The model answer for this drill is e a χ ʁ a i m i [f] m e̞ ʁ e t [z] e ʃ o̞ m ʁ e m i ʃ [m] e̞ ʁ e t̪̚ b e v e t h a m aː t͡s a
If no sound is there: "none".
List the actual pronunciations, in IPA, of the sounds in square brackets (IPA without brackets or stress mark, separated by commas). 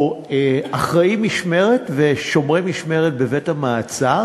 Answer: ʃ, v, m